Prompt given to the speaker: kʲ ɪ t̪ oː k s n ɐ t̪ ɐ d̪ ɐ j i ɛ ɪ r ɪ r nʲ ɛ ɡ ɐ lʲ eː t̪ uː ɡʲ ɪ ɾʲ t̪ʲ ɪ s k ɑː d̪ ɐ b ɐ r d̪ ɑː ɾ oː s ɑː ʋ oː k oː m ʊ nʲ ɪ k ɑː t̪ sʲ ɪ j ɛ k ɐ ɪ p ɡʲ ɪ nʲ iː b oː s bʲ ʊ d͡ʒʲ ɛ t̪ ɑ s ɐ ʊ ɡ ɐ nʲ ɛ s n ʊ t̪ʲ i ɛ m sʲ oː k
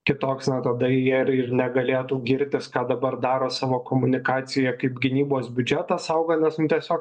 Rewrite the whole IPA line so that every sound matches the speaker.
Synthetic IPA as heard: kʲ ɪ t̪ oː k s n ɐ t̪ ɐ d̪ ɐ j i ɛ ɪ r ɪ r nʲ ɛ ɡ ɐ lʲ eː t̪ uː ɡʲ ɪ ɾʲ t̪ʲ ɪ s k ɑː d̪ ɐ b ɐ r d̪ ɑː ɾ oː s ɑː ʋ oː k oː m ʊ nʲ ɪ k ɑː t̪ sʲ ɪ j ɛ k ɐ ɪ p ɡʲ ɪ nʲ iː b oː s bʲ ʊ d͡ʒʲ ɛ t̪ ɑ s ɐ ʊ ɡ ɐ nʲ ɛ s n ʊ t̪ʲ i ɛ sʲ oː k